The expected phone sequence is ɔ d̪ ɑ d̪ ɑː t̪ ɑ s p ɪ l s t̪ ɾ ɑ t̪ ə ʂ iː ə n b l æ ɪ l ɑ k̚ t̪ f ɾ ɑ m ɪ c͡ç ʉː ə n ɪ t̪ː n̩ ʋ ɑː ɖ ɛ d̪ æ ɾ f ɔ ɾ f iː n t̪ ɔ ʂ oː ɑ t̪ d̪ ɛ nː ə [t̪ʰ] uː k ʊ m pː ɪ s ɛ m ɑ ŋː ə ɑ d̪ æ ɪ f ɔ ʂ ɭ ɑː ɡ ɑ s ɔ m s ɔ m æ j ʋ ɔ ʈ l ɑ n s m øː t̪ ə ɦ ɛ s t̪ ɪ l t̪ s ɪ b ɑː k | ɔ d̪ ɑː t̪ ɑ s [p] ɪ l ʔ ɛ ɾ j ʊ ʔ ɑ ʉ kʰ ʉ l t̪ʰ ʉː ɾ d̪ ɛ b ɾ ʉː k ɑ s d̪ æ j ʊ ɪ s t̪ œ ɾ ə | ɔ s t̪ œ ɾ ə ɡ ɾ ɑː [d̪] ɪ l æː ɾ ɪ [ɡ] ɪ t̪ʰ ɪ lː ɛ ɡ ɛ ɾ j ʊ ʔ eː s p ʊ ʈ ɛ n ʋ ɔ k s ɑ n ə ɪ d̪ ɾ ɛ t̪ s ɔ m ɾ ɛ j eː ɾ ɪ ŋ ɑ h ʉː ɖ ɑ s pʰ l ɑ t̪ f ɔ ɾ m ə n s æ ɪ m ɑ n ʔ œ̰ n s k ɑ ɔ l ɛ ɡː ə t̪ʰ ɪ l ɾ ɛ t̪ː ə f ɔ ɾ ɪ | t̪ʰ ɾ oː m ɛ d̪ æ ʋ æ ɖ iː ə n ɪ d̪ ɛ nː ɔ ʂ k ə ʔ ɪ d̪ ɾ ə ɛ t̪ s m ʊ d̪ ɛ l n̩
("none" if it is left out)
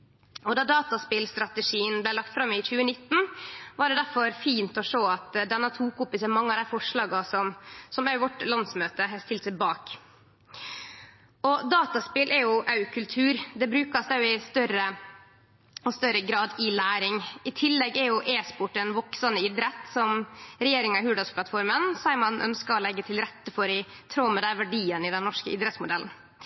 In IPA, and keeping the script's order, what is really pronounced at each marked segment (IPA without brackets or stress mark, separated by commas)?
t̪ʰ, p, d̪, ŋ